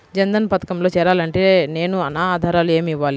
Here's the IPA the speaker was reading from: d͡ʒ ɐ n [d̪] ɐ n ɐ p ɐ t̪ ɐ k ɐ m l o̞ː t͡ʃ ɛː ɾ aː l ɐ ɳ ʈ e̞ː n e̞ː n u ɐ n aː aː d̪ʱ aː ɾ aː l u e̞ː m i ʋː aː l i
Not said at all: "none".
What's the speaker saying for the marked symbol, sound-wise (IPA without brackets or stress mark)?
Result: d̪